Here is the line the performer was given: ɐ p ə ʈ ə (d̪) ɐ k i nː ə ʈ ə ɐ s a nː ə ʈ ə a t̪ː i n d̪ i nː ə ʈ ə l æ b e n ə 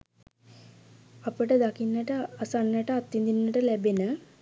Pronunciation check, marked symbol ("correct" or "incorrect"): correct